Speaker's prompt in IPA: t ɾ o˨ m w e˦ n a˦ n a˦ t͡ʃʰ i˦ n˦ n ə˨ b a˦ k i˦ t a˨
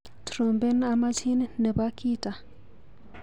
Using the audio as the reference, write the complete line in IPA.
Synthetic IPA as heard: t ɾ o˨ m b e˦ n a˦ m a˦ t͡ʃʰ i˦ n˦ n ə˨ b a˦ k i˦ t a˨